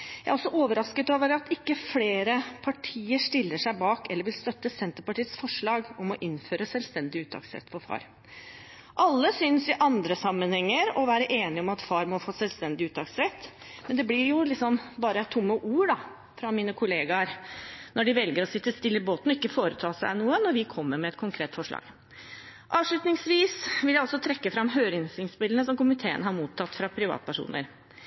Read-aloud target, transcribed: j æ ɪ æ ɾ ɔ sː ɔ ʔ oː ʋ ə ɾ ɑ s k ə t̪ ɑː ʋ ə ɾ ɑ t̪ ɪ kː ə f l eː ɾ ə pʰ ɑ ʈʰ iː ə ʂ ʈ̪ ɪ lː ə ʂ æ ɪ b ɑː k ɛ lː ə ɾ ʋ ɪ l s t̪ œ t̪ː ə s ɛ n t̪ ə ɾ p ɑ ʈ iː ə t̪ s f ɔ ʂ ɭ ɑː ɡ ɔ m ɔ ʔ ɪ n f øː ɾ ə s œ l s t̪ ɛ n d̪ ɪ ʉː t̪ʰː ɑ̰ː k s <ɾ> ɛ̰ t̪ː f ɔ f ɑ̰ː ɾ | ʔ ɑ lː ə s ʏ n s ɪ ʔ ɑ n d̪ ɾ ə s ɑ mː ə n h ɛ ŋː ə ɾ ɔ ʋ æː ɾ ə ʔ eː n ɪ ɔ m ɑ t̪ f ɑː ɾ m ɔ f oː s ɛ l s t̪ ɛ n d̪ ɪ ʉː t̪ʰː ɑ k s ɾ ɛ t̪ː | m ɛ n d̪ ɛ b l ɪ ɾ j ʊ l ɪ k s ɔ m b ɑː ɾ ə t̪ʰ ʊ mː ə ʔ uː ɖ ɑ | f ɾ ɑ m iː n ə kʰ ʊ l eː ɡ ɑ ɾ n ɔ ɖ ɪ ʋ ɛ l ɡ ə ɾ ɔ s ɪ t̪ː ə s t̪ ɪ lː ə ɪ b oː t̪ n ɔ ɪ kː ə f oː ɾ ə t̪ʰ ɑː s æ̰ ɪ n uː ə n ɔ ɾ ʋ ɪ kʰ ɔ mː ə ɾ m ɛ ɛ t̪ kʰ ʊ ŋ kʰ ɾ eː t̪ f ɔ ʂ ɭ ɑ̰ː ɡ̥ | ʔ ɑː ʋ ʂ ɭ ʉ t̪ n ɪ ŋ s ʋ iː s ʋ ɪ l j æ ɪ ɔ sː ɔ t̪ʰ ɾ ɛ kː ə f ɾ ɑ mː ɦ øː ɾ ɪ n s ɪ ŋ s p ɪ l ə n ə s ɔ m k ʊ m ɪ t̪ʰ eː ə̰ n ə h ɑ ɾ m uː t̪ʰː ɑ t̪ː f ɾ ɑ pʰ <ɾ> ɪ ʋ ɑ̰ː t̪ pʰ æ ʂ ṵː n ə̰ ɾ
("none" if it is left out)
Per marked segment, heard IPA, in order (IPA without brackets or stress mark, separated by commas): ɾ, ɾ